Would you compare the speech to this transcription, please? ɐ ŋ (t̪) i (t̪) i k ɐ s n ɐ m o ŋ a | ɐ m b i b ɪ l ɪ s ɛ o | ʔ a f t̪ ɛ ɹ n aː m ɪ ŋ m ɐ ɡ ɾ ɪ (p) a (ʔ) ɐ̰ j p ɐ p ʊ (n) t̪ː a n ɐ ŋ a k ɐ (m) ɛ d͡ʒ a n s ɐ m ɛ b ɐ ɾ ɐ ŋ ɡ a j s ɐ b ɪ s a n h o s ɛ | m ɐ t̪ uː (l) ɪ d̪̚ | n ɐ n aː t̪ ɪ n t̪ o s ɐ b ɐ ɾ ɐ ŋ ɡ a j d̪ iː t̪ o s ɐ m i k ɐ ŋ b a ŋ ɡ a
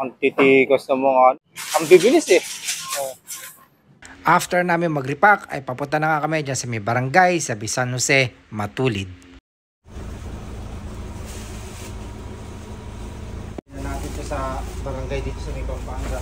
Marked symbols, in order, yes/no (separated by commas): yes, yes, yes, no, yes, yes, yes